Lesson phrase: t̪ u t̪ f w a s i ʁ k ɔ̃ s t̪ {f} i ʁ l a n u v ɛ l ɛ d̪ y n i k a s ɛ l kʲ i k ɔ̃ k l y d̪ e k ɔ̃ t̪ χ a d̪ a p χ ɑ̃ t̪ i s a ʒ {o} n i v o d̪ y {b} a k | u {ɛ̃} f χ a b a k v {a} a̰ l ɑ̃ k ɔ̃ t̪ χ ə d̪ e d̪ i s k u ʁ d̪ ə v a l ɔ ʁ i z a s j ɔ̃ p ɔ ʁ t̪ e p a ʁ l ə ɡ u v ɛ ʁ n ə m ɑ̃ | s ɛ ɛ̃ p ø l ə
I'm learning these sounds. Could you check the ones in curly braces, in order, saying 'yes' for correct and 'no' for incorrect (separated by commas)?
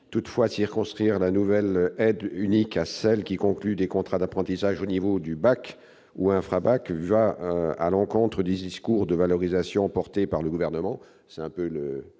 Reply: no, yes, yes, yes, yes